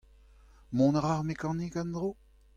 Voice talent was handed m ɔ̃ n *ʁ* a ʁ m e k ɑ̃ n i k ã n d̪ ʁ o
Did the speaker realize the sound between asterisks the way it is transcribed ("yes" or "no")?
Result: yes